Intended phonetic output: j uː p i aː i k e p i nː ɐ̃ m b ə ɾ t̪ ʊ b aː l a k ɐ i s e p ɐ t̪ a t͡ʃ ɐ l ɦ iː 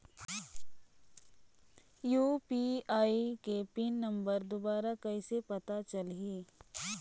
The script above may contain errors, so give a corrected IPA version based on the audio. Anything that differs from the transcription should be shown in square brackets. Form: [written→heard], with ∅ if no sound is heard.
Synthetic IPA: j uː p i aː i k e p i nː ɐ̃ m b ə ɾ [t̪→d̪] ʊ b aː [l→ɾ] a k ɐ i s e p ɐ t̪ a t͡ʃ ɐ l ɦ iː